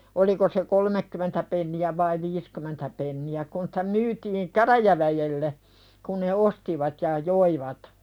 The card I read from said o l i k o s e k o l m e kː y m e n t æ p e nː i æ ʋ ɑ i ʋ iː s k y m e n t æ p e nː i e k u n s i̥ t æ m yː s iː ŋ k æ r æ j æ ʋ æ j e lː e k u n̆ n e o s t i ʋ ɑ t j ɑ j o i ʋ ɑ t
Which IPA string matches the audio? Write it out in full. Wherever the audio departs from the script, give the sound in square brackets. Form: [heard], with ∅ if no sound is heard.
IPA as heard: o l i k o s e k o l m e kː y m e n t æ p e nː i æ ʋ ɑ i ʋ iː s k y m e n t æ p e nː i [æ] k u n s i̥ t æ m yː [t] iː ŋ k æ r æ j æ ʋ æ j e lː e k u n̆ n e o s t i ʋ ɑ t j ɑ j o i ʋ ɑ t

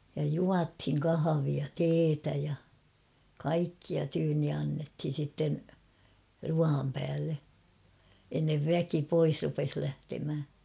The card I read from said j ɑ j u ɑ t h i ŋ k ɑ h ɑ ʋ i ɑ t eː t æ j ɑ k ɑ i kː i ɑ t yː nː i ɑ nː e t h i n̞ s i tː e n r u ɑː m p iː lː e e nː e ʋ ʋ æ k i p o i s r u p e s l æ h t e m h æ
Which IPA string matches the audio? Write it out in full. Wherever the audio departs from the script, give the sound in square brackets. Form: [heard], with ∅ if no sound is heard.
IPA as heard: j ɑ j u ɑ t h i ŋ k ɑ h ɑ ʋ i ɑ t eː t æ j ɑ k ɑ i kː i ɑ t yː nː i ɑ nː e t h i n̞ s i tː e n r u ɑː m p [æː] lː e e nː e ʋ ʋ æ k i p o i s r u p e s l æ h t e m h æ

